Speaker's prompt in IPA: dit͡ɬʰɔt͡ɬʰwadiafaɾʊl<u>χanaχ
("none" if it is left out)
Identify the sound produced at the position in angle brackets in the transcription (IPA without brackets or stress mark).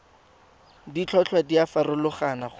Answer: ʊ